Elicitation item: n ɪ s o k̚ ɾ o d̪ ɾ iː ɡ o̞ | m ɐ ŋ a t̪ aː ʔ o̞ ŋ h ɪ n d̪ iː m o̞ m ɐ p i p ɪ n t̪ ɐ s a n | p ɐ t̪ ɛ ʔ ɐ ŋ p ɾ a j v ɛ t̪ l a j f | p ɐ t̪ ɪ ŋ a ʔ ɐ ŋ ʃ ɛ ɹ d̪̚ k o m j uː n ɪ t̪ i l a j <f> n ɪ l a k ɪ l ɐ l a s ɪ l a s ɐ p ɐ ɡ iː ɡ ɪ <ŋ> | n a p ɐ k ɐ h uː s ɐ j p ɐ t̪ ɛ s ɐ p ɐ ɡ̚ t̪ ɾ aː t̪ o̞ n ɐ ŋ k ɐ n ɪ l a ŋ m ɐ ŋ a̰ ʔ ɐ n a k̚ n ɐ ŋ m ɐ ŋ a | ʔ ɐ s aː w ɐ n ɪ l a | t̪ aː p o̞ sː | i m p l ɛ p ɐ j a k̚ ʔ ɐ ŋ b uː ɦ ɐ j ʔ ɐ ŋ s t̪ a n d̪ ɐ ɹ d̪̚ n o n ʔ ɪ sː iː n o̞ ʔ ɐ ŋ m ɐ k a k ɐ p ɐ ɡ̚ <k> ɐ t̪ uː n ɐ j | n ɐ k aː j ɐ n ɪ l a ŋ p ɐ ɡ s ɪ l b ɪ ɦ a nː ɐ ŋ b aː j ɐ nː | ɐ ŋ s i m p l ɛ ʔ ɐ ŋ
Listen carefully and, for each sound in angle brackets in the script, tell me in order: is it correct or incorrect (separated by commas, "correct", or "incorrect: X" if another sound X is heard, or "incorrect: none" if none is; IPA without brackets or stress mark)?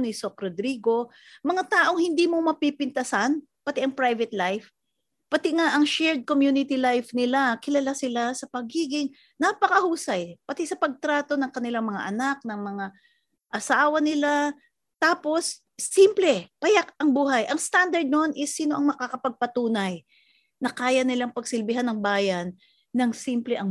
correct, correct, incorrect: p